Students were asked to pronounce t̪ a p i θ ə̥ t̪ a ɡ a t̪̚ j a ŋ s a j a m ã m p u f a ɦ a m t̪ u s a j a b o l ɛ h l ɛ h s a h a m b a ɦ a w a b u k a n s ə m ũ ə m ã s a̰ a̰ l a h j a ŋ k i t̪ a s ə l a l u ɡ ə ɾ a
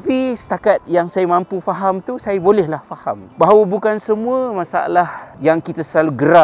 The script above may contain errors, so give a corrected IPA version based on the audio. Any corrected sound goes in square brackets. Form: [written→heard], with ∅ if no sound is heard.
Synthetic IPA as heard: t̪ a p i [θ→s] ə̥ t̪ a [ɡ→k] a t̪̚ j a ŋ s a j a m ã m p u f a ɦ a m t̪ u s a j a b o l ɛ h l [ɛ→a] h [s→f] a h a m b a ɦ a w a b u k a n s ə m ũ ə m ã s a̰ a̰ l a h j a ŋ k i t̪ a s ə l a l u ɡ ə ɾ a